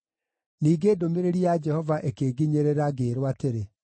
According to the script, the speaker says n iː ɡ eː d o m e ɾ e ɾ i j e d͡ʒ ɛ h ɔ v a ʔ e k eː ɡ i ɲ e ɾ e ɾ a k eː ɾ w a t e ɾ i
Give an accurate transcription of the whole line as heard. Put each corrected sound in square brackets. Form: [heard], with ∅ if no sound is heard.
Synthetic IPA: n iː ɡ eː d o m e ɾ e ɾ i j [a] d͡ʒ ɛ h ɔ v a ʔ e k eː ɡ i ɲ e ɾ e ɾ a [ɡ] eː ɾ w a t e ɾ [e]